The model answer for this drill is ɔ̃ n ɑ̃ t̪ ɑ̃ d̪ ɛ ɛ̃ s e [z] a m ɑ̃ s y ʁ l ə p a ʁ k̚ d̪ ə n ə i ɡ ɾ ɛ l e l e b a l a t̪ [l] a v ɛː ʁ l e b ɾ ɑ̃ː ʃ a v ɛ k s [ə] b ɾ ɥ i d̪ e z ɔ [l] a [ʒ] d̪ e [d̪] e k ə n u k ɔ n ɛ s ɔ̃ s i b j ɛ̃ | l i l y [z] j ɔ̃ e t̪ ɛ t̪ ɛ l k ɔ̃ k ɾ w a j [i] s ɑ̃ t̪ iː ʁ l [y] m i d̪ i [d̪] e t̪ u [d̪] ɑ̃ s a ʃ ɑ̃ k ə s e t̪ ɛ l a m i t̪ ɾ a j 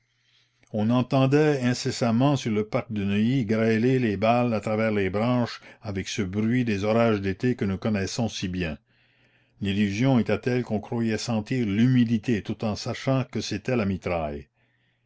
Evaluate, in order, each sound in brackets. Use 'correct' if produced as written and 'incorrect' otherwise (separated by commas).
incorrect, incorrect, correct, incorrect, correct, incorrect, correct, incorrect, correct, incorrect, incorrect